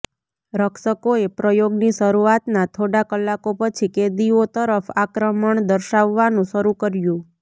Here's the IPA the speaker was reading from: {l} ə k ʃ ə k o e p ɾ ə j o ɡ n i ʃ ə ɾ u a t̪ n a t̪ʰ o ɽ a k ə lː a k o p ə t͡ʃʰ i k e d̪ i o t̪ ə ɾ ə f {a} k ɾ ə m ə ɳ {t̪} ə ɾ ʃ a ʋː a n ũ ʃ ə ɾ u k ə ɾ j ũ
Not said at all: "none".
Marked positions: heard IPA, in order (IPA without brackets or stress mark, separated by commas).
ɾ, a, d̪